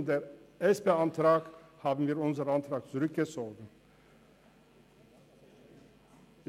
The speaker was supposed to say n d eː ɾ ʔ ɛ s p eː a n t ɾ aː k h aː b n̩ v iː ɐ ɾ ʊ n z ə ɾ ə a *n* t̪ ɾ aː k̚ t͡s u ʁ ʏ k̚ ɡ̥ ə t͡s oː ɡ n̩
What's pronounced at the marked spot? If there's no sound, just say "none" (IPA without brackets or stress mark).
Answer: n